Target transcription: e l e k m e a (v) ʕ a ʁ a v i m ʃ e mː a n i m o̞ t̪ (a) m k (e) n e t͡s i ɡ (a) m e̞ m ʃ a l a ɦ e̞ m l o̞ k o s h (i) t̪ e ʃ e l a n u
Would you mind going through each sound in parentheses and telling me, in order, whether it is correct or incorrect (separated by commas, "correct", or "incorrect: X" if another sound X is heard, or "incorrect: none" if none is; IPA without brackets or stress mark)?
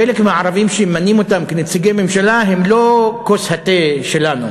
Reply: incorrect: none, correct, correct, incorrect: e, incorrect: a